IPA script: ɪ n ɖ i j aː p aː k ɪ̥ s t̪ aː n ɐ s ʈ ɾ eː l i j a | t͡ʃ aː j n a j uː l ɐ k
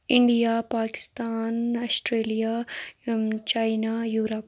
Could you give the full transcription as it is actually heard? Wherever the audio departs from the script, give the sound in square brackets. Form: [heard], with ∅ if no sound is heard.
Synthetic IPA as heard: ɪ [ɳ] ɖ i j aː p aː k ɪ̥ s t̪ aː n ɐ s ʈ ɾ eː l i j a | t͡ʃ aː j n a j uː [ɾ] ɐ [p]